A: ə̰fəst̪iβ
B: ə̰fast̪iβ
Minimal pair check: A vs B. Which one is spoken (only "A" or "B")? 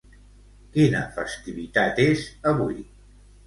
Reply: A